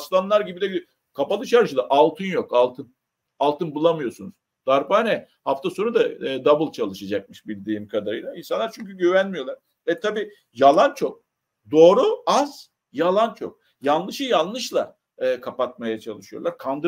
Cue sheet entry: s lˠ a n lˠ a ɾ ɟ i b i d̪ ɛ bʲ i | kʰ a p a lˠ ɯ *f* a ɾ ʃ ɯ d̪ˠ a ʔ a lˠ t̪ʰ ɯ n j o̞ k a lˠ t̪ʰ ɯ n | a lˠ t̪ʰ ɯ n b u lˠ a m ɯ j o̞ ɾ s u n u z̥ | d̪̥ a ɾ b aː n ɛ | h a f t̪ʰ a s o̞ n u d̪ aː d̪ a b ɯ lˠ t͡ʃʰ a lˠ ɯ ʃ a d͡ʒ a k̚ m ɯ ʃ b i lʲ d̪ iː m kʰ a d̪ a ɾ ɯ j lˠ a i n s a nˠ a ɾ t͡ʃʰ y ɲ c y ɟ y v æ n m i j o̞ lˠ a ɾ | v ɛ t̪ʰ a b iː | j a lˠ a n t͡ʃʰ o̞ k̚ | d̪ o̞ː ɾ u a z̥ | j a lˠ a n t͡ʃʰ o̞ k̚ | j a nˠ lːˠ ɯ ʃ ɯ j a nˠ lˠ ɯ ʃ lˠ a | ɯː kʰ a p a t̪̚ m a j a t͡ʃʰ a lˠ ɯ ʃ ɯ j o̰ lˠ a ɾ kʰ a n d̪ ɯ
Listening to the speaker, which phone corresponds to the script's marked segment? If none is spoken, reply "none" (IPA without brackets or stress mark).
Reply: ʃ